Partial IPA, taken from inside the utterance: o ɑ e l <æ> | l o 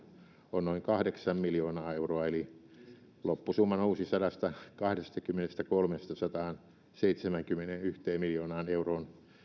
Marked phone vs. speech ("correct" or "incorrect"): incorrect